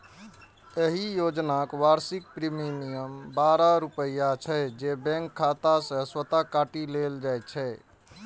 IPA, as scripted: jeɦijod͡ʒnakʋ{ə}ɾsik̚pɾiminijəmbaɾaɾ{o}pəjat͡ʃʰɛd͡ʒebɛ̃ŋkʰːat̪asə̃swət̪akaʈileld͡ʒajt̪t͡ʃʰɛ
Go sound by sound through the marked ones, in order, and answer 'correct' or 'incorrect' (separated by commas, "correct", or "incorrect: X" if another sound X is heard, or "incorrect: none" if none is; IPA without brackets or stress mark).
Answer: incorrect: a, incorrect: u